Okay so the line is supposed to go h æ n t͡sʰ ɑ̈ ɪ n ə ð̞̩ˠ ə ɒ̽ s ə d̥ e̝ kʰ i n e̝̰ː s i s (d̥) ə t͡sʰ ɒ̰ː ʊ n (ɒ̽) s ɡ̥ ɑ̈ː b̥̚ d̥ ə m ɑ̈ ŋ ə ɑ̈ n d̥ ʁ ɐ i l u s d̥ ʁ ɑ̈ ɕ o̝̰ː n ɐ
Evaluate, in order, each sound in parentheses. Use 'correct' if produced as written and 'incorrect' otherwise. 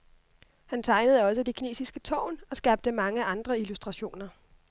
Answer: incorrect, correct

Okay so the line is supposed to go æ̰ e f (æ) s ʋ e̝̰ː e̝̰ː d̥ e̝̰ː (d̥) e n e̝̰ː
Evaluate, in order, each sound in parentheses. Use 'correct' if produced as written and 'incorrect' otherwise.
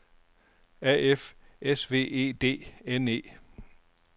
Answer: incorrect, incorrect

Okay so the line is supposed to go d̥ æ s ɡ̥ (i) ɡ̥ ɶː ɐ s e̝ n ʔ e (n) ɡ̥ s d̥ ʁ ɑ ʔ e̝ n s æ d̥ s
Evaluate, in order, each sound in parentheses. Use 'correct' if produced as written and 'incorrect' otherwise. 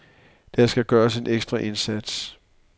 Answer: incorrect, incorrect

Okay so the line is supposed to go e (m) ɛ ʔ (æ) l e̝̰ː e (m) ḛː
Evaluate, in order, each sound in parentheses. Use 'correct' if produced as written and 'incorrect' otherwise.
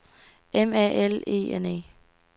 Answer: correct, incorrect, incorrect

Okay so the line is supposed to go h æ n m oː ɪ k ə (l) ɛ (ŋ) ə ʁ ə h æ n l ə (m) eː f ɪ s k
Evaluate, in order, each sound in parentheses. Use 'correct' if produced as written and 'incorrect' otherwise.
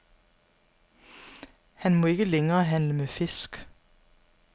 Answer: correct, correct, correct

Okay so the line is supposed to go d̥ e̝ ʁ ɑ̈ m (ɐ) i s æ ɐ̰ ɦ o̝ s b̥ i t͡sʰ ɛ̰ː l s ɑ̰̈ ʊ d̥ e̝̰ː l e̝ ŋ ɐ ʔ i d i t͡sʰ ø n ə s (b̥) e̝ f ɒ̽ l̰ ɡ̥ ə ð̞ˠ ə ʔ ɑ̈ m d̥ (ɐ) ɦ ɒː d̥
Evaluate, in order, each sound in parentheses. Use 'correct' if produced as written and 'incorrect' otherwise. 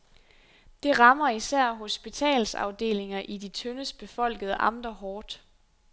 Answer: correct, correct, correct

